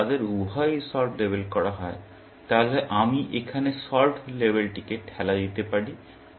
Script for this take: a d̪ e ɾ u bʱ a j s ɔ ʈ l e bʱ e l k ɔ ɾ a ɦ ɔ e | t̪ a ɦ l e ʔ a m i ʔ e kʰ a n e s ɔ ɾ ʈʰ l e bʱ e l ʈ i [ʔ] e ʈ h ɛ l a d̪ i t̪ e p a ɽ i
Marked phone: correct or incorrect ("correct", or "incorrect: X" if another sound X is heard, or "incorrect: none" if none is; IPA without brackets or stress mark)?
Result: incorrect: k